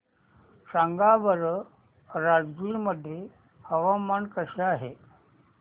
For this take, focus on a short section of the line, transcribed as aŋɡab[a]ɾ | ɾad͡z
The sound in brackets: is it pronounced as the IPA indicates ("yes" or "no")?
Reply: no